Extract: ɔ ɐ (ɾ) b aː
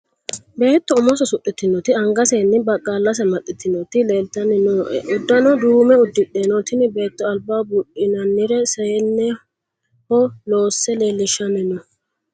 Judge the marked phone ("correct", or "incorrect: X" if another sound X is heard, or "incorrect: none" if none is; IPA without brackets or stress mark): incorrect: l